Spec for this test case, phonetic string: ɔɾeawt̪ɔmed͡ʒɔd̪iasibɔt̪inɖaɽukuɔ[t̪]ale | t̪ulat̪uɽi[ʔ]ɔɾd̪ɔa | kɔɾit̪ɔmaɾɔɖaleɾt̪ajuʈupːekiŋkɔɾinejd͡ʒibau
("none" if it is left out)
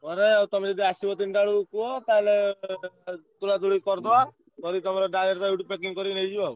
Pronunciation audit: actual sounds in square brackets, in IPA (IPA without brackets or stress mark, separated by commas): t̪, k